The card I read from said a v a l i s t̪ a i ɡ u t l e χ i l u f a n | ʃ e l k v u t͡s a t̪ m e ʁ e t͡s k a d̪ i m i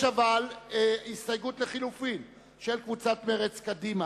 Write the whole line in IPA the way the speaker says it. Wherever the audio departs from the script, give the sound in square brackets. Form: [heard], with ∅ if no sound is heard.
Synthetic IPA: a v a l i s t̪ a [j] ɡ u t l e χ i l u f [i] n | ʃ e l k v u t͡s a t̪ m e ʁ e t͡s k a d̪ i m [a]